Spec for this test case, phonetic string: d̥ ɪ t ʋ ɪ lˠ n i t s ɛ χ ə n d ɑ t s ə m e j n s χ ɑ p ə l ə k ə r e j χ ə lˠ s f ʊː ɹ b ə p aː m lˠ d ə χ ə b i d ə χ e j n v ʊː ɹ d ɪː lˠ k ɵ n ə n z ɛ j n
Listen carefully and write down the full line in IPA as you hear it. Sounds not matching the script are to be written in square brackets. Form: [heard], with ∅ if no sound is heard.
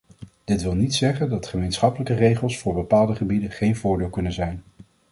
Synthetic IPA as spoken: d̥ ɪ t ʋ ɪ lˠ n i t s ɛ χ ə n d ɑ t [χ] ə m e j n s χ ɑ p ə l ə k ə r e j χ ə lˠ s f ʊː ɹ b ə p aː [∅] lˠ d ə χ ə b i d ə χ e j n v ʊː ɹ d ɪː lˠ k ɵ n ə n z ɛ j n